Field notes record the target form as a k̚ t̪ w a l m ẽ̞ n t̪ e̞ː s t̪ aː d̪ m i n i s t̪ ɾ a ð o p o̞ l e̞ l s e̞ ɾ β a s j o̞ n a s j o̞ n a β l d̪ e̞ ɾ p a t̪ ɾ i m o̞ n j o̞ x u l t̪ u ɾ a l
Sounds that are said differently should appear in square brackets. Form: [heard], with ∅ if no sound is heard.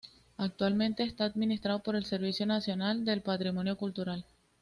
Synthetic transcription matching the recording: a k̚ t̪ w a l m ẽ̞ n t̪ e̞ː s t̪ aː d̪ m i n i s t̪ ɾ a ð o p o̞ [ɾ] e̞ l s e̞ ɾ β [i] s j o̞ n a s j o̞ n a [∅] l d̪ e̞ [l] p a t̪ ɾ i m o̞ n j o̞ [k] u l t̪ u ɾ a l